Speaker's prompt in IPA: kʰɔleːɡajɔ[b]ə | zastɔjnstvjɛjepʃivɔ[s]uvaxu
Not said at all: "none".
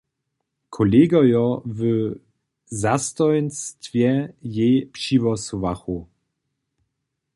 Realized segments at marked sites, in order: v, s

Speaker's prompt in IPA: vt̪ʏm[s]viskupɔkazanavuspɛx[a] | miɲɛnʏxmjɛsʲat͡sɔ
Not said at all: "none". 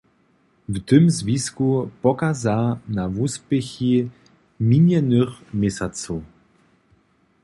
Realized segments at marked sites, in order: z, i

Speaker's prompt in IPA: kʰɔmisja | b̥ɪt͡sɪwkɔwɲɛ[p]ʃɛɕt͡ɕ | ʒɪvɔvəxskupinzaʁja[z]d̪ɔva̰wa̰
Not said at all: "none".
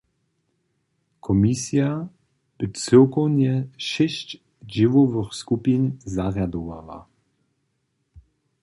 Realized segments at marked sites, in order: none, none

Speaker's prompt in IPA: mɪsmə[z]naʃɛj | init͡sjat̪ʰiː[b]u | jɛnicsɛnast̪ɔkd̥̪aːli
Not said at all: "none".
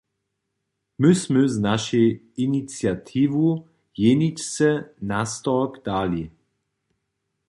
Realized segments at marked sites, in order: z, v

